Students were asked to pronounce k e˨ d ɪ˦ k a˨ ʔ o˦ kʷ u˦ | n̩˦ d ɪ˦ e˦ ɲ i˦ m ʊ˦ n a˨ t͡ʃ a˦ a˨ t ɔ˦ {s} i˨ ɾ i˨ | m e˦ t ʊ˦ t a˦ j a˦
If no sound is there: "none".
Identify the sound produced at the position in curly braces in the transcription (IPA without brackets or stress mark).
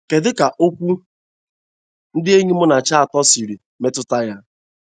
s